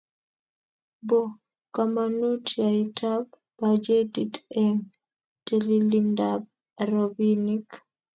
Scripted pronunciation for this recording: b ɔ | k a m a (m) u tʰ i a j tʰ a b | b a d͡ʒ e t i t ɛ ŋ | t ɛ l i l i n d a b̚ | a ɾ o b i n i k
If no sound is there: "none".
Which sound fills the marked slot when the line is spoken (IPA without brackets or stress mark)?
n